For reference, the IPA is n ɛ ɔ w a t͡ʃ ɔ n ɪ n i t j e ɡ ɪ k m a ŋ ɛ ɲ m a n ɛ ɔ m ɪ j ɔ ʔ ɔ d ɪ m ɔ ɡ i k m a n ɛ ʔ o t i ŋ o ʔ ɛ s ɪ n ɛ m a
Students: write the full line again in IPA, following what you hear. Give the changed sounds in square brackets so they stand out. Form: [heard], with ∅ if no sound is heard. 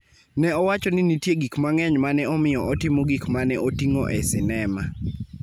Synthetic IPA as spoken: n ɛ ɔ w a t͡ʃ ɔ n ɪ n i t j e ɡ [i] k m a ŋ ɛ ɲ m a n ɛ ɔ m ɪ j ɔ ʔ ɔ [t] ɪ m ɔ ɡ i k m a n ɛ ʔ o t i ŋ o ʔ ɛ s ɪ n ɛ m a